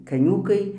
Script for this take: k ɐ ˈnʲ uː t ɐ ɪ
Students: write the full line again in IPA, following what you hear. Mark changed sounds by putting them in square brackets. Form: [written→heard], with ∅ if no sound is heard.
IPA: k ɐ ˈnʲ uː [t→k] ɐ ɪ